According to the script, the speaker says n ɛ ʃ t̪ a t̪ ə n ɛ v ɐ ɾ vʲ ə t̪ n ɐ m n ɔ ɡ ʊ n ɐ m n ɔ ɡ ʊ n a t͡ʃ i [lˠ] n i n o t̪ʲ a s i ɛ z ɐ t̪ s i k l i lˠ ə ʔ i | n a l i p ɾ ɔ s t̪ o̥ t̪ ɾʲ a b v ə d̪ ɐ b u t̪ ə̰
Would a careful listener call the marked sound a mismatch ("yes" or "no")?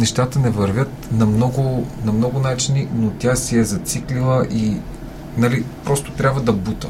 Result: yes